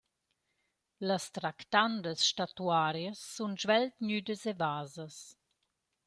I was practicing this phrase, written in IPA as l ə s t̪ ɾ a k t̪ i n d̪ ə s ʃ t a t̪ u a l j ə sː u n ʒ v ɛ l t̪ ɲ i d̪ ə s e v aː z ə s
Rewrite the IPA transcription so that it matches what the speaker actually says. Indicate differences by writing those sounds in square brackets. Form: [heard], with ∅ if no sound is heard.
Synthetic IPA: l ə s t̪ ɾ a k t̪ [a] n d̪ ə s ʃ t a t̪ u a [ɾ] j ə sː u n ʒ v ɛ l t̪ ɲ [y] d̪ ə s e v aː z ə s